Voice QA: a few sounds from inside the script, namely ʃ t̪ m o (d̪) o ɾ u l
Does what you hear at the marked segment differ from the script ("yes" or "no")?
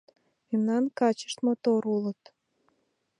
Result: yes